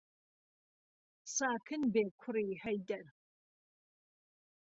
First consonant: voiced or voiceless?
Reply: voiceless